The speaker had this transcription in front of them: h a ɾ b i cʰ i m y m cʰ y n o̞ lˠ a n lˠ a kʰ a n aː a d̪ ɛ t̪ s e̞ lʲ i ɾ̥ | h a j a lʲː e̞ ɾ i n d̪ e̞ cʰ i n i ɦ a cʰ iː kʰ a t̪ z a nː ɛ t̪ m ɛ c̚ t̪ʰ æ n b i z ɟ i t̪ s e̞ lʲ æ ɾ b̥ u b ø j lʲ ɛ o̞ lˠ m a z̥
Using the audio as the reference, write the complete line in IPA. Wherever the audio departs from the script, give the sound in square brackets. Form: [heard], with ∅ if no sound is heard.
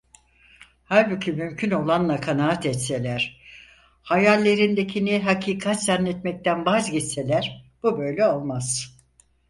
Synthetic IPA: h a ɾ b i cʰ i m y m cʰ y n o̞ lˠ a n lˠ a kʰ a n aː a [t̪] ɛ t̪ s e̞ lʲ [æ] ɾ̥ | h a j a lʲː e̞ ɾ i n d̪ e̞ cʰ i n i ɦ a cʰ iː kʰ a t̪ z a nː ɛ t̪ m ɛ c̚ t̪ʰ æ n b [a] z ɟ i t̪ s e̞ lʲ æ ɾ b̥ u b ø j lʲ ɛ o̞ lˠ m a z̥

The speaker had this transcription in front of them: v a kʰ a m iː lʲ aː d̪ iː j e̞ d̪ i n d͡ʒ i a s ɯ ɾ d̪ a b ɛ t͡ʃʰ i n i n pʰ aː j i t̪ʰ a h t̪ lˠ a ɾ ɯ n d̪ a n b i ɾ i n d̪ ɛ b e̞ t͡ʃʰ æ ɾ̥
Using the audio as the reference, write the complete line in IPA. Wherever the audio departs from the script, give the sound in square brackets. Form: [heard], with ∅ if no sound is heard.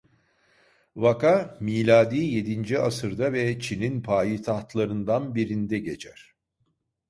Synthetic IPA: v a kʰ a m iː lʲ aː d̪ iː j e̞ d̪ i n d͡ʒ i a s ɯ ɾ d̪ a [v] ɛ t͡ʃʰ i n i n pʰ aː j i t̪ʰ a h t̪ lˠ a ɾ ɯ n d̪ a n b i ɾ i n d̪ ɛ [ɟ] e̞ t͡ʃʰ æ ɾ̥

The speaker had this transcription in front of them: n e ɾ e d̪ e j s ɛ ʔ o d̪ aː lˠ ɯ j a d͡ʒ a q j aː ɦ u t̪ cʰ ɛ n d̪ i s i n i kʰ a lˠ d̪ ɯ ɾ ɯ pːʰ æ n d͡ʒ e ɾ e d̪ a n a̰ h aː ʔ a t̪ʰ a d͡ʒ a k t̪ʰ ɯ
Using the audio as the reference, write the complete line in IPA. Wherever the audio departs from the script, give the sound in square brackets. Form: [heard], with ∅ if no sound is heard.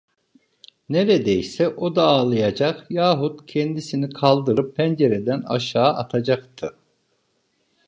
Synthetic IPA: n e ɾ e d̪ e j s ɛ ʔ o d̪ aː lˠ ɯ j a d͡ʒ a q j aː ɦ u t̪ cʰ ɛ n d̪ i s i n i kʰ a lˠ d̪ ɯ ɾ ɯ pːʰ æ n d͡ʒ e ɾ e d̪ [æ] n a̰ [ʃ] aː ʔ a t̪ʰ a d͡ʒ a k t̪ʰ ɯ

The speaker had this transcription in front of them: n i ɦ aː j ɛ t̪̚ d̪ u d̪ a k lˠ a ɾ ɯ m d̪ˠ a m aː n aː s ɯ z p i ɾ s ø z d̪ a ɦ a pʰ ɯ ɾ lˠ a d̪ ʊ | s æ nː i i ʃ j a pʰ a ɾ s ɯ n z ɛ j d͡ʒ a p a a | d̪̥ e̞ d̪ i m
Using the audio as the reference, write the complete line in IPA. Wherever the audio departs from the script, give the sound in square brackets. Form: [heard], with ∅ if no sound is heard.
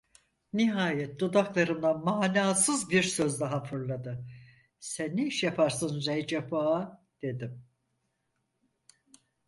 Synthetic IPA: n i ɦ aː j ɛ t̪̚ d̪ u d̪ a k lˠ a ɾ ɯ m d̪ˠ a m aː n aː s ɯ z [b] i ɾ s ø z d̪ a ɦ a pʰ ɯ ɾ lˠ a d̪ [ɯ] | s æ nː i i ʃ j a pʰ a ɾ s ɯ n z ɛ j d͡ʒ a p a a | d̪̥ e̞ d̪ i m

